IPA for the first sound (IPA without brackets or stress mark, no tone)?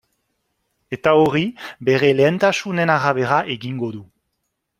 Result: e̞